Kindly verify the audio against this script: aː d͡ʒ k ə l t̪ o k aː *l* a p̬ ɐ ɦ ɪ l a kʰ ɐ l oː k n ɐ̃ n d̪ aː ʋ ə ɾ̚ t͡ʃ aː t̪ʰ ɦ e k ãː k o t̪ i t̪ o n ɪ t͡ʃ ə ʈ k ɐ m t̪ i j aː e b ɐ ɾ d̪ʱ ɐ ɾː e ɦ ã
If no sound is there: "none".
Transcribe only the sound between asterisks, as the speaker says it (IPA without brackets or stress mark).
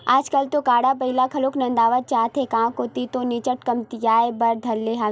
ɽ